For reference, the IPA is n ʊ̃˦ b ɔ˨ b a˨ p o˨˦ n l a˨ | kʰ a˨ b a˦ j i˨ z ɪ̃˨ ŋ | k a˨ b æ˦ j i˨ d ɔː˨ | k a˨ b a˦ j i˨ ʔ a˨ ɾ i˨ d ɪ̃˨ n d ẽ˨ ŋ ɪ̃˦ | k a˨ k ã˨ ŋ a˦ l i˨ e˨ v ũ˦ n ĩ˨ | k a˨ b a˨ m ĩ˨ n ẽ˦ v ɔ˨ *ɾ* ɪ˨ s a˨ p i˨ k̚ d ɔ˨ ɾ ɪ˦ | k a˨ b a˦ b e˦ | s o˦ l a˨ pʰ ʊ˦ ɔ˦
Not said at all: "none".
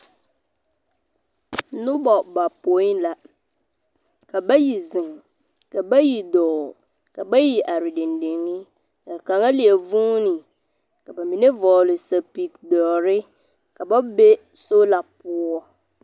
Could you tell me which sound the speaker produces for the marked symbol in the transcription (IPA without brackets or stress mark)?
l